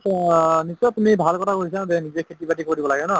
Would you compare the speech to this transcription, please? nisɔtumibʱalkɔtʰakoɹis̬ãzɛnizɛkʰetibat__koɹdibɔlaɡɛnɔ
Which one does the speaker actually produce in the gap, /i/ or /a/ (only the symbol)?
i